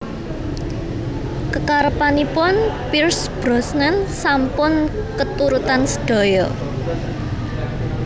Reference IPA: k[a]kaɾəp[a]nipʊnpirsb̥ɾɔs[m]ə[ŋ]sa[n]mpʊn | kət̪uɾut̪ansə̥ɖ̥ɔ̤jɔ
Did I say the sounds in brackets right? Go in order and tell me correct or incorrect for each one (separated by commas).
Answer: incorrect, correct, incorrect, incorrect, incorrect